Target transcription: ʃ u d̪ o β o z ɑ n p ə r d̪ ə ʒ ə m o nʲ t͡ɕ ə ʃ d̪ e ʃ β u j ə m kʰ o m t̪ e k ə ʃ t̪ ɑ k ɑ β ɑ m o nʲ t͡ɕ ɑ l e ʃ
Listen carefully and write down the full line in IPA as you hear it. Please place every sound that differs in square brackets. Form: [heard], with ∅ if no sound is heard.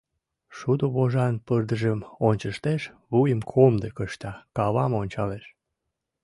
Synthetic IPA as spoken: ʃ u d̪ o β o [ʒ] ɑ n p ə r d̪ ə ʒ ə m o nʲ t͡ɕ ə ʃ [t̪] e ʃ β u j ə m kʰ o m [d̪] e k ə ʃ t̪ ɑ k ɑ β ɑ m o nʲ t͡ɕ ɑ l e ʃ